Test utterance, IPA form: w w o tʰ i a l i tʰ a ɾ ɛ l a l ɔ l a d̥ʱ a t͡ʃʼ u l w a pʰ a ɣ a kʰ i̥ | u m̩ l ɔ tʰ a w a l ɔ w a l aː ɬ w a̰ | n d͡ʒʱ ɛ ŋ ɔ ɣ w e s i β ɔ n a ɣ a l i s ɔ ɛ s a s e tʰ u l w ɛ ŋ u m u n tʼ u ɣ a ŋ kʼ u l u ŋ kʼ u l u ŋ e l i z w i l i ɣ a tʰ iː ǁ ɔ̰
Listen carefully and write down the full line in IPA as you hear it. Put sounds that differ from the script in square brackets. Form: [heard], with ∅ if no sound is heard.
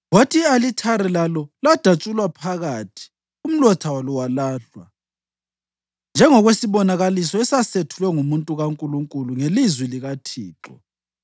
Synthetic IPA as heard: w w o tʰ i a l i tʰ a ɾ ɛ l a l ɔ l a d̥ʱ a t͡ʃʼ u l w a pʰ a ɣ a [tʰ] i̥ | u m̩ l ɔ tʰ a w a l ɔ w a l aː ɬ w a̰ | n d͡ʒʱ ɛ ŋ ɔ ɣ w e s i β ɔ n a ɣ a l i s ɔ ɛ s a s e tʰ u l w ɛ ŋ u m u n tʼ u ɣ a ŋ kʼ u l u ŋ kʼ u l u ŋ e l i z w i l i ɣ a tʰ iː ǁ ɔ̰